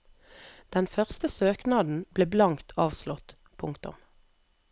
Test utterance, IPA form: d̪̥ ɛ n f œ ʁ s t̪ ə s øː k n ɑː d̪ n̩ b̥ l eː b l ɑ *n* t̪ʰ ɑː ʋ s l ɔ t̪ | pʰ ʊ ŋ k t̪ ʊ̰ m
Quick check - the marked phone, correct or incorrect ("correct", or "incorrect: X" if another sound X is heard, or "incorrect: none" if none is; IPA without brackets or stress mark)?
incorrect: ŋ